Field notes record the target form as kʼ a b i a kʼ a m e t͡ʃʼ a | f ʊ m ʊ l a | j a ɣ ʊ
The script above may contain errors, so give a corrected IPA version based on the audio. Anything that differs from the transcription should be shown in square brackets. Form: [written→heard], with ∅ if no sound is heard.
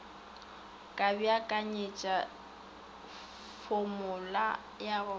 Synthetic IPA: kʼ a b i a kʼ a [m→ɲ] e t͡ʃʼ a | f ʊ m ʊ l a | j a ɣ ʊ